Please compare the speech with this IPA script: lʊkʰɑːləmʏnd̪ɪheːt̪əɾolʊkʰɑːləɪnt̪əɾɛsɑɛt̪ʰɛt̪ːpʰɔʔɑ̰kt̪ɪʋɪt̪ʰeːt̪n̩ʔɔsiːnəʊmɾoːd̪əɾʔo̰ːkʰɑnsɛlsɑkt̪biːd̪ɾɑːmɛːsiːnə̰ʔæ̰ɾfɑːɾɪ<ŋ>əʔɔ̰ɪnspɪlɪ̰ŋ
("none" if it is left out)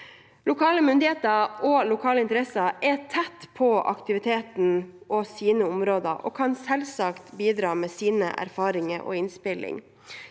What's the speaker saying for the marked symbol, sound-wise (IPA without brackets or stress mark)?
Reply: ŋ